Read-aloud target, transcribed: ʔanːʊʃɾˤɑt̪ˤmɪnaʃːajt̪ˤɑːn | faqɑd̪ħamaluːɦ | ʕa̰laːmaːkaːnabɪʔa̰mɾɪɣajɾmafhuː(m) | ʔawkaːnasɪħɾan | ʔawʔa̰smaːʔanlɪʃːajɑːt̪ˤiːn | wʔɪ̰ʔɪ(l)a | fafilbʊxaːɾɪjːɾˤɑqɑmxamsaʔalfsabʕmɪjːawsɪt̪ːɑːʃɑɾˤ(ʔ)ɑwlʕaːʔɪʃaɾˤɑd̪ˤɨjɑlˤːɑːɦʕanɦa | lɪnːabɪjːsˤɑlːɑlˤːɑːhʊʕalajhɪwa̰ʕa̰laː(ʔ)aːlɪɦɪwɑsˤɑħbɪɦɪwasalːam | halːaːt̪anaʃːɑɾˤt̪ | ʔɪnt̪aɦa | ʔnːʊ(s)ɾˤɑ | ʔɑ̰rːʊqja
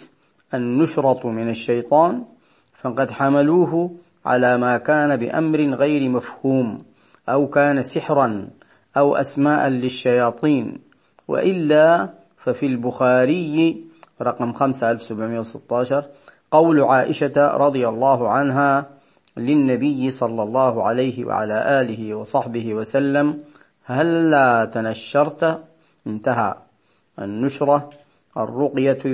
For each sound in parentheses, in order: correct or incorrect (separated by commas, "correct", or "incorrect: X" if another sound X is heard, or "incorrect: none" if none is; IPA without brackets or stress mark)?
correct, incorrect: lː, incorrect: q, correct, incorrect: ʃ